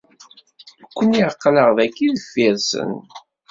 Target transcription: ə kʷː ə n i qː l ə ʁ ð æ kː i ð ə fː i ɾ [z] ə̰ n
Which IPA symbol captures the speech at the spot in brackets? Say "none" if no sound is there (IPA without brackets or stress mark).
s